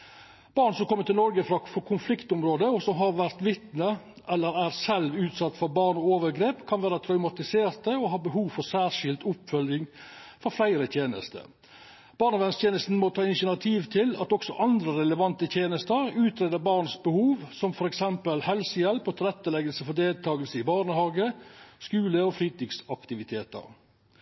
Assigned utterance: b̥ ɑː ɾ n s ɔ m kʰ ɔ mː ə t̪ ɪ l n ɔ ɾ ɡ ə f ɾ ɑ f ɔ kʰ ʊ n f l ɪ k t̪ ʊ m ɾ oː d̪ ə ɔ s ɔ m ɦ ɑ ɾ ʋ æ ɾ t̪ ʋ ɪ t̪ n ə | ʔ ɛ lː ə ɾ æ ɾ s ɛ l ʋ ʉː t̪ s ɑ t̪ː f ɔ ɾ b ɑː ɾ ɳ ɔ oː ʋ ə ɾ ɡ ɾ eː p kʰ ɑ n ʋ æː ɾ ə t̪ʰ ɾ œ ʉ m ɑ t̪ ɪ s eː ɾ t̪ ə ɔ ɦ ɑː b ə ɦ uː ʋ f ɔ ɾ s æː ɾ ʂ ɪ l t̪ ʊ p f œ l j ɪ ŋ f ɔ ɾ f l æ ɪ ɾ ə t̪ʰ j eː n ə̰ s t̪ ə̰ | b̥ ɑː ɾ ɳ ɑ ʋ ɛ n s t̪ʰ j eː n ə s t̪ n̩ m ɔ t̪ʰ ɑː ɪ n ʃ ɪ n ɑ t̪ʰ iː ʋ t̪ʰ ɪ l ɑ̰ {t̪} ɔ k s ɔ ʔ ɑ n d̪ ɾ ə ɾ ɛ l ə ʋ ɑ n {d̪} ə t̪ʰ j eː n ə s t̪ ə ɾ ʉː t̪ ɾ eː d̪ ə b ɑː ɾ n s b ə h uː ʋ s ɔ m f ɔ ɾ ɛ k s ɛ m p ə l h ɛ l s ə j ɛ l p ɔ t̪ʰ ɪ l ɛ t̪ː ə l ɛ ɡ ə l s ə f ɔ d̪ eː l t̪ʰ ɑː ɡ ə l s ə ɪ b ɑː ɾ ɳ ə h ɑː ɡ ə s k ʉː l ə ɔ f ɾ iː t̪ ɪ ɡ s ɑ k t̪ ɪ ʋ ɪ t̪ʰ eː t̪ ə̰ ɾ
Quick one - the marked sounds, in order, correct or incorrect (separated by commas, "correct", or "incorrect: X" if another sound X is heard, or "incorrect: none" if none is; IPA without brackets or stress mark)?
correct, incorrect: t̪